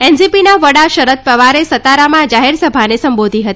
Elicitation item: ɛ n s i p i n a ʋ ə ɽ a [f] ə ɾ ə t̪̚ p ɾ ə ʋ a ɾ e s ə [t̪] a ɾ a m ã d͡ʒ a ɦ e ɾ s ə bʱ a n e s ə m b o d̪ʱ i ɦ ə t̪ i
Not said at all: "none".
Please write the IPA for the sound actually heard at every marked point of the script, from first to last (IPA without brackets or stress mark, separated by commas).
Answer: ʃ, t̪